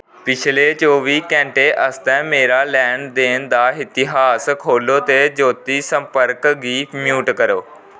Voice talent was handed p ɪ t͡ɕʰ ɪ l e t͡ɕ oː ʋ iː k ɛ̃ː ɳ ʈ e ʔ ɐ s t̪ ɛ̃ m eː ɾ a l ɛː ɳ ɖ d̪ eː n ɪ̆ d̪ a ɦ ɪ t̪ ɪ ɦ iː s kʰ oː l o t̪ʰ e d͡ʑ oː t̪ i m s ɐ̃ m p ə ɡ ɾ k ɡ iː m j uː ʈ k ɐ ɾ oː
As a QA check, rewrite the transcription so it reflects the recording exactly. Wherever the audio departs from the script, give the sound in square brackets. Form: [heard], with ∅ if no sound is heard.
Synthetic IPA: p ɪ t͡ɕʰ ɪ l e t͡ɕ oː ʋ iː k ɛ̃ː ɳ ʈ e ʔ ɐ s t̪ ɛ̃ m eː ɾ a l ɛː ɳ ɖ d̪ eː n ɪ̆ d̪ a ɦ ɪ t̪ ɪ ɦ [aː] s kʰ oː l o [t̪] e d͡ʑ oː t̪ i [∅] s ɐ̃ m p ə [∅] ɾ k ɡ iː m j uː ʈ k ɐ ɾ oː